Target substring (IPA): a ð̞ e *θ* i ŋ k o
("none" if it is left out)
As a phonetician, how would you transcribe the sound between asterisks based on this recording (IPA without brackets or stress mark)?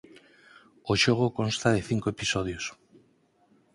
θ